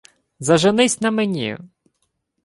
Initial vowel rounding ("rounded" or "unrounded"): unrounded